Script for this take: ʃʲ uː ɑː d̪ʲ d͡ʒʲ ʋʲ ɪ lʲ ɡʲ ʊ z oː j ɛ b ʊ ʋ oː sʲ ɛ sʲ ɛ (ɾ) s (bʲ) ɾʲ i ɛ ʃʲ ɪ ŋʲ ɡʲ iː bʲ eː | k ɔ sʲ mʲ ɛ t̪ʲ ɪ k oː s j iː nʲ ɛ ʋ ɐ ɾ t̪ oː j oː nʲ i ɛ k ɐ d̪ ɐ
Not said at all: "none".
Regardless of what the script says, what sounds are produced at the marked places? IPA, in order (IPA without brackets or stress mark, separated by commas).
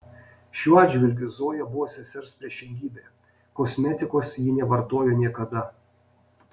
ɾ, pʲ